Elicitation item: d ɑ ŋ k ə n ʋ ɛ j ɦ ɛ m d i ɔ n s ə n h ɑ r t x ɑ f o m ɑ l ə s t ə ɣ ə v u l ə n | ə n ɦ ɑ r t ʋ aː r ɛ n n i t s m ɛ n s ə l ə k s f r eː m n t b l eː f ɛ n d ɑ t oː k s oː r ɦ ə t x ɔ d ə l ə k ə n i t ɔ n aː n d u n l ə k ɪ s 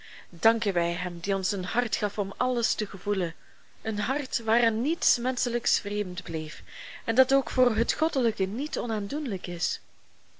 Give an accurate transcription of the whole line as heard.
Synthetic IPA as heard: d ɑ ŋ k ə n ʋ ɛ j ɦ ɛ m d i ɔ n s ə n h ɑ r t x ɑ f ɔ m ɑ l ə s t ə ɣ ə v u l ə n | ə n ɦ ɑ r t ʋ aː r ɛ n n i t s m ɛ n s ə l ə k s f r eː m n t b l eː f ɛ n d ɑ t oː k f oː r ɦ ə t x ɔ d ə l ə k ə n i t ɔ n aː n d u n l ə k ɪ s